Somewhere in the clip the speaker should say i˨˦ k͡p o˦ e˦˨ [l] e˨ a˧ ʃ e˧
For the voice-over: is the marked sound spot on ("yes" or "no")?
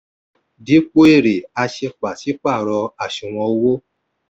no